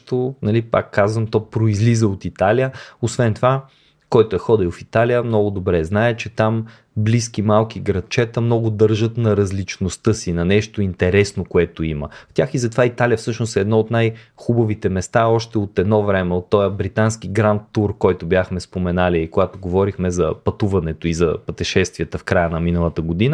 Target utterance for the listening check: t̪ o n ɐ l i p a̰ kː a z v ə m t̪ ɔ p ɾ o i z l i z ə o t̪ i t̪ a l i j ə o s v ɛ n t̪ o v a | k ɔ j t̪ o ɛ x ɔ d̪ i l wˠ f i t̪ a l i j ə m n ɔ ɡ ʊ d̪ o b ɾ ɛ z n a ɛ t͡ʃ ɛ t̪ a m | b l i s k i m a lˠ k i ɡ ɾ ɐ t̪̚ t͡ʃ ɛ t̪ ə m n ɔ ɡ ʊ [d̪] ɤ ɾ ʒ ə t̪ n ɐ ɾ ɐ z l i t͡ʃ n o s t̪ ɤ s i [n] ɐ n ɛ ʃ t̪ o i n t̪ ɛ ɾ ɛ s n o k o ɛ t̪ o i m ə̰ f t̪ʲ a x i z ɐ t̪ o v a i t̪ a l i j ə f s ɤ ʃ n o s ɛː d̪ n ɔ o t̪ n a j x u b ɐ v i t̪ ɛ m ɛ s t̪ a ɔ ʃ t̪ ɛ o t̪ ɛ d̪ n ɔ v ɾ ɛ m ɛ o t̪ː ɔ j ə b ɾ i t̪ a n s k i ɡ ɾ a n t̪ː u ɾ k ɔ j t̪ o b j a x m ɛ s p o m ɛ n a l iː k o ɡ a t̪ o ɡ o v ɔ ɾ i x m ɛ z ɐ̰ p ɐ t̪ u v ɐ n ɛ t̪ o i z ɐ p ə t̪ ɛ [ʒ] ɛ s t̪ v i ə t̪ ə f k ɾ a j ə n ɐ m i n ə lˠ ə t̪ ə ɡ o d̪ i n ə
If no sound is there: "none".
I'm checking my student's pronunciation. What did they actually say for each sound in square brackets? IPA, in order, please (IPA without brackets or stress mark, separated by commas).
d̪, n, ʃ